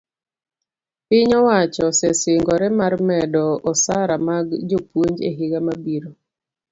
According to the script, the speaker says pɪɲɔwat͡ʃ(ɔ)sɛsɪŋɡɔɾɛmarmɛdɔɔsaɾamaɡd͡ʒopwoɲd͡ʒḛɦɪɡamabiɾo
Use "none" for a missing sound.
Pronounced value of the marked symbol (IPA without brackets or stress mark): ɔ